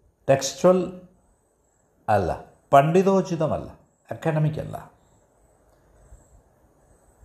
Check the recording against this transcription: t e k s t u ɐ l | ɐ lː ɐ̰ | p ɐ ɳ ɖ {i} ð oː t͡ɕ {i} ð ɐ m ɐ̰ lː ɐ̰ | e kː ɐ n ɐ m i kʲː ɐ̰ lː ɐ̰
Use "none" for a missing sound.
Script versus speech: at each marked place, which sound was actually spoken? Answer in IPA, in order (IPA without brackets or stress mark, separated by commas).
i, i